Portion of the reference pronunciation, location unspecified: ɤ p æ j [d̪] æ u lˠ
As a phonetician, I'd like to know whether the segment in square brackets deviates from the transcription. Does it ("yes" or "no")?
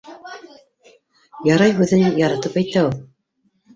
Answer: yes